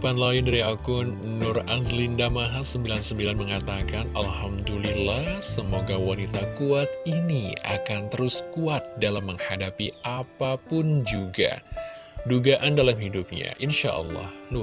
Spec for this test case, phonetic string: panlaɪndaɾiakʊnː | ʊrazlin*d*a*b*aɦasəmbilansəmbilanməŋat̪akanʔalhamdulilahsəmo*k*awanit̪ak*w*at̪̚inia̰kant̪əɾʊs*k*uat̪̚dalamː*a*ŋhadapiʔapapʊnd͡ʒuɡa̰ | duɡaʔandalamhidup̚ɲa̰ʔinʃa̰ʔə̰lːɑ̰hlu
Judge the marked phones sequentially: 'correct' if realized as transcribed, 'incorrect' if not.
correct, incorrect, incorrect, incorrect, correct, incorrect

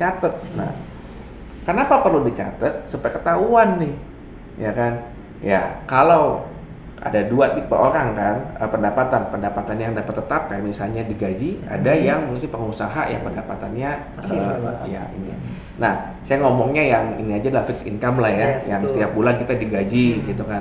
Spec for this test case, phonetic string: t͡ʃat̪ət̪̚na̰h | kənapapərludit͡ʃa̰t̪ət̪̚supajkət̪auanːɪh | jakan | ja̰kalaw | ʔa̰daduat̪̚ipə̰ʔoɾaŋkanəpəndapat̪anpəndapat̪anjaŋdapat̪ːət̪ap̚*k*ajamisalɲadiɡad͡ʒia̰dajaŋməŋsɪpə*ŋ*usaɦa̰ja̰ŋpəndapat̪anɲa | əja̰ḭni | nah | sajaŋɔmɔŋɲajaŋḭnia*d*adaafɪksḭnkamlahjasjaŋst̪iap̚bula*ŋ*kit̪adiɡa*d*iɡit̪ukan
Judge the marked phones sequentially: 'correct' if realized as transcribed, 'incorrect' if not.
correct, correct, incorrect, incorrect, incorrect

